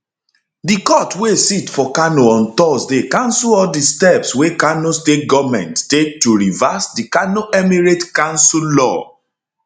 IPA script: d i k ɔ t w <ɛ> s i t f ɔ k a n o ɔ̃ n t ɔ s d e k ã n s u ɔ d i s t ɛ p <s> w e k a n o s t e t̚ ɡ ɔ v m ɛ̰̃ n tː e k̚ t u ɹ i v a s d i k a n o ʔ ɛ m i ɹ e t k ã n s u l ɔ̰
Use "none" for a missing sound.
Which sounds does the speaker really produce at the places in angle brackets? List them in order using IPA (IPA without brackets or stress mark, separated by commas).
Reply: e, s